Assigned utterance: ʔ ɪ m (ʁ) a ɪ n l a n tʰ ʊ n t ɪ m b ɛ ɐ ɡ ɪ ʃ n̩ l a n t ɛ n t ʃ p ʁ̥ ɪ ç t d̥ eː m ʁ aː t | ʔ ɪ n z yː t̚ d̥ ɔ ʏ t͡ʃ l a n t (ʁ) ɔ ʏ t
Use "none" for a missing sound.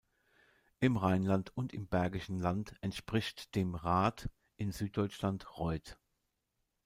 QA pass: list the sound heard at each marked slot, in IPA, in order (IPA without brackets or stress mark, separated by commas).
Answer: ʁ, ʁ